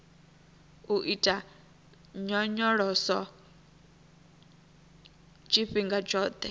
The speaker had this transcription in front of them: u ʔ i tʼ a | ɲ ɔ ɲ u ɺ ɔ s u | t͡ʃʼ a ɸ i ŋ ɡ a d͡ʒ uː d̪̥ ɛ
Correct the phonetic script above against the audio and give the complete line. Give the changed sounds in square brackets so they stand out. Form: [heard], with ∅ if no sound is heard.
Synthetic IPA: u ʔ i tʼ a | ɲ ɔ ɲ [ɔ] ɺ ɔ s [ɔ] | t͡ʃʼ [i] ɸ i ŋ ɡ a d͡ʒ [ɔː] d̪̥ ɛ